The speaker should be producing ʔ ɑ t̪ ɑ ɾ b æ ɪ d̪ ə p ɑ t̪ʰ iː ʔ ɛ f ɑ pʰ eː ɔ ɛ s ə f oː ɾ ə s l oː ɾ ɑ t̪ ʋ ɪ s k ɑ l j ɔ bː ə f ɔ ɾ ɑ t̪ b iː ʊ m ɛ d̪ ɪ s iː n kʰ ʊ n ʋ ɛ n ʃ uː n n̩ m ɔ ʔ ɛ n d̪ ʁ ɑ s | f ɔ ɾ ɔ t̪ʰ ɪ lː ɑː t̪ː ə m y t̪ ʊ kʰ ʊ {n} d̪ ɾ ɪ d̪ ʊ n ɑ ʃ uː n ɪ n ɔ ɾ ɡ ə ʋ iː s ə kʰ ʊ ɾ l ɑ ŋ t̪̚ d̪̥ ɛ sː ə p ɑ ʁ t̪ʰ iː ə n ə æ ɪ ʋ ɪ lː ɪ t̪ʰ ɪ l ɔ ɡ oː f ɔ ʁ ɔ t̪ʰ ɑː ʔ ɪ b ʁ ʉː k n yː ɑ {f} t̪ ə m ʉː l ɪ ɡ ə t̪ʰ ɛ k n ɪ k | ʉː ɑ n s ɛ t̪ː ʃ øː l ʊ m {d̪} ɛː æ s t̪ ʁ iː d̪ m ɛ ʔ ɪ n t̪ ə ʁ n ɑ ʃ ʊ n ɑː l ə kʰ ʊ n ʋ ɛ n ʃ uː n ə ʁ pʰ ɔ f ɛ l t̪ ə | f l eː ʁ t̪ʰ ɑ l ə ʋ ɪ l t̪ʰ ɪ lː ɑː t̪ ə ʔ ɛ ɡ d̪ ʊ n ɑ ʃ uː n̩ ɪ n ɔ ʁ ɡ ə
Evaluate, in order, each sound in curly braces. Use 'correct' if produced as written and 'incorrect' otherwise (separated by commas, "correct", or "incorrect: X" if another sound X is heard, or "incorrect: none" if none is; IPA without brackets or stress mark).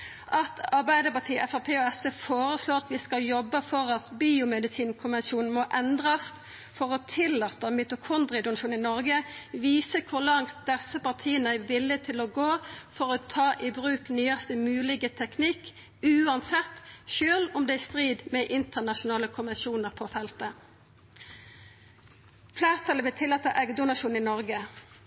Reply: correct, incorrect: s, correct